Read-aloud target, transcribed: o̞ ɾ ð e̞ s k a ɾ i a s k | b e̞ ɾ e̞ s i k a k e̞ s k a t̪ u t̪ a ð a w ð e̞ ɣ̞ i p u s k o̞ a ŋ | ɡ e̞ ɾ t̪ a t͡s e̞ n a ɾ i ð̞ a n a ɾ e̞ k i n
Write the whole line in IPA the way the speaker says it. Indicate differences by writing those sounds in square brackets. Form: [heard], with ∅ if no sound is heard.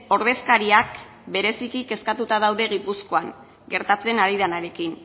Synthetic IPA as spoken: o̞ ɾ ð e̞ s k a ɾ i a [∅] k | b e̞ ɾ e̞ s i k [i] k e̞ s k a t̪ u t̪ a ð a w ð e̞ ɣ̞ i p u s k o̞ a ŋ | ɡ e̞ ɾ t̪ a t͡s e̞ n a ɾ i ð̞ a n a ɾ e̞ k i n